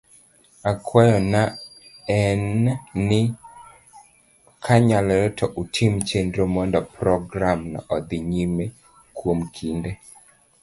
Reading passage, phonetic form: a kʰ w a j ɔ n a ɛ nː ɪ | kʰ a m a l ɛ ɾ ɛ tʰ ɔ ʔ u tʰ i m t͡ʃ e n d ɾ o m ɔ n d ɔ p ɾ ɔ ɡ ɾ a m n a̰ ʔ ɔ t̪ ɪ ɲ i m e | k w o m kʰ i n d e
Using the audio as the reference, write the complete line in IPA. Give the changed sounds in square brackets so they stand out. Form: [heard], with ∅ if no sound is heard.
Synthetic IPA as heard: a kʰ w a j ɔ n a ɛ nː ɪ | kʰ a [ɲ] a l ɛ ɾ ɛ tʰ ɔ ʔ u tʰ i m t͡ʃ e n d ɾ o m ɔ n d ɔ p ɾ ɔ ɡ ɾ a m n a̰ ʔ ɔ [d̪] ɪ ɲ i m e | k w o m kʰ i n d e